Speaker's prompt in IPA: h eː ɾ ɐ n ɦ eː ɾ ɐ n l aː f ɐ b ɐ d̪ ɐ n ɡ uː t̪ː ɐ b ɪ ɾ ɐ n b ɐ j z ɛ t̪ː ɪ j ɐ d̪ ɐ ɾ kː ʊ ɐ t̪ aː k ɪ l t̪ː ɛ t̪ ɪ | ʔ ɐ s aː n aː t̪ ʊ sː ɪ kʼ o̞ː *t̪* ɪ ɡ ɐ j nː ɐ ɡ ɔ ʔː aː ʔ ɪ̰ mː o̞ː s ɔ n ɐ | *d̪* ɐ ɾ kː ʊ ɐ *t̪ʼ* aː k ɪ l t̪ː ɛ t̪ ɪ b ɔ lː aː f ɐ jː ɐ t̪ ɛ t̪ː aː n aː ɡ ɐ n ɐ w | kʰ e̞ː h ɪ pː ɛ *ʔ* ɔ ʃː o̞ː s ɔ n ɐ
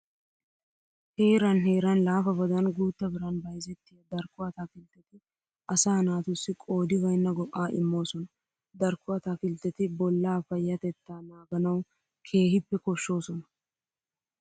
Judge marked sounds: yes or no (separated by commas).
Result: no, yes, no, no